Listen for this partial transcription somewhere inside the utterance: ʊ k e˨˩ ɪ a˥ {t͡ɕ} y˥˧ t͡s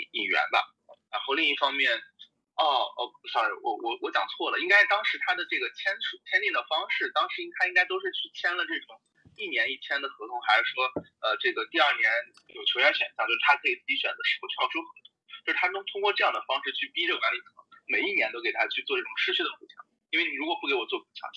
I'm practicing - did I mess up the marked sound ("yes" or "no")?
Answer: yes